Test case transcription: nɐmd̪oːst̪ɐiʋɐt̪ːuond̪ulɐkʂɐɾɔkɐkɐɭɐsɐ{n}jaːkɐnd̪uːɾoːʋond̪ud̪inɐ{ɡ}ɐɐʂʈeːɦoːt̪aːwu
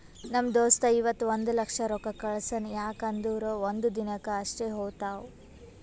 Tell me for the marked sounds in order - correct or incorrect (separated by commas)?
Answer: correct, incorrect